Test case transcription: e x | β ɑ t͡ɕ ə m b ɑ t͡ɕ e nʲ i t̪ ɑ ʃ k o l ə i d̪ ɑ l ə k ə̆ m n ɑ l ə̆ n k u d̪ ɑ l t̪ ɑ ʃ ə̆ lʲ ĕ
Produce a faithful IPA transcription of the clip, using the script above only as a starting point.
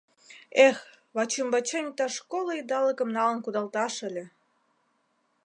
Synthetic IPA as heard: e x | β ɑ t͡ɕ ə m b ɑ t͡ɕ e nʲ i t̪ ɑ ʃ k o l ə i d̪ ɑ l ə k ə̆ m n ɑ l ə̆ n k u d̪ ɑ l t̪ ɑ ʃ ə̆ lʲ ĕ